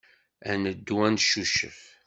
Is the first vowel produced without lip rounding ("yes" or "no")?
yes